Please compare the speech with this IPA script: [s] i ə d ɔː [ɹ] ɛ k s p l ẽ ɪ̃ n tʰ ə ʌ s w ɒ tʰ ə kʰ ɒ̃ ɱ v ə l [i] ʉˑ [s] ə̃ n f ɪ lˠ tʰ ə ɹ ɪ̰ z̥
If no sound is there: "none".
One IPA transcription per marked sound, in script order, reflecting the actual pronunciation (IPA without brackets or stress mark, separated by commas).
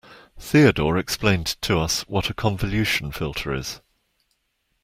θ, ɹ, j, ʃ